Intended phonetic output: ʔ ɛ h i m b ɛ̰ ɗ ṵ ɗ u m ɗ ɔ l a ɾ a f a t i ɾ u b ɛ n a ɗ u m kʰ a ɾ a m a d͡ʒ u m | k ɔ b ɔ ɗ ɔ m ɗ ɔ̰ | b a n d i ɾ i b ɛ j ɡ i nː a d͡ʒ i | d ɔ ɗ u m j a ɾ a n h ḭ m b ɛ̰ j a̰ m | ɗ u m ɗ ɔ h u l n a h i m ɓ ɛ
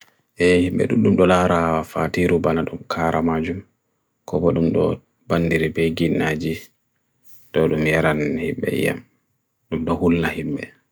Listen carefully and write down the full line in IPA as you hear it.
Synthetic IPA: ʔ ɛ h i m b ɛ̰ ɗ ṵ ɗ u m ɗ ɔ l a ɾ a f a t i ɾ u b a n a ɗ u m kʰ a ɾ a m a d͡ʒ u m | k ɔ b ɔ ɗ u m ɗ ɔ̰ | b a n d i ɾ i b ɛ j ɡ i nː a d͡ʒ i | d ɔ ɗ u m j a ɾ a n h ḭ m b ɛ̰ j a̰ m | ɗ u m ɗ ɔ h u l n a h i m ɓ ɛ